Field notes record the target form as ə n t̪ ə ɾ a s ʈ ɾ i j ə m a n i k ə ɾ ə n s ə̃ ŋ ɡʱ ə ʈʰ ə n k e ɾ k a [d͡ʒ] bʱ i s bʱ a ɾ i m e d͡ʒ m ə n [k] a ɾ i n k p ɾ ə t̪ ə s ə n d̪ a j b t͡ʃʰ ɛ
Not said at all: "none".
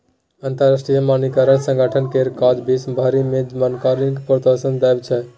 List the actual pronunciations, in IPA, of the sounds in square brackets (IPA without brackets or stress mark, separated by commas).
d͡ʒ, k